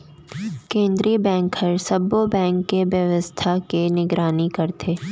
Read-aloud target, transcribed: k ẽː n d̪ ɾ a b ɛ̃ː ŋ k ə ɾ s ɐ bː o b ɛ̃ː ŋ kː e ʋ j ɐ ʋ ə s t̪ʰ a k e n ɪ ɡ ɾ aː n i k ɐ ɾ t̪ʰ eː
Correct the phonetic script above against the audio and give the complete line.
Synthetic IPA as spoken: k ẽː n d̪ ɾ i b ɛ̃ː ŋ k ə ɾ s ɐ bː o b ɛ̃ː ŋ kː e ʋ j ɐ ʋ ə s t̪ʰ a k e n ɪ ɡ ɾ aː n i k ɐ ɾ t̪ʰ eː